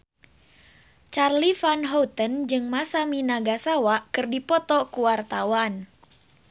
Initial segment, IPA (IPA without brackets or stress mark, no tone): t͡ʃ